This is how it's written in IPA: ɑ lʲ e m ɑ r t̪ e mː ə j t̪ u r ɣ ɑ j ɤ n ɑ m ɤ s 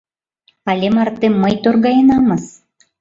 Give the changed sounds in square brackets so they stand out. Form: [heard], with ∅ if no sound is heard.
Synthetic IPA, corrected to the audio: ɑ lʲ e m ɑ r t̪ e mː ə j t̪ [o] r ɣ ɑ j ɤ n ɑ m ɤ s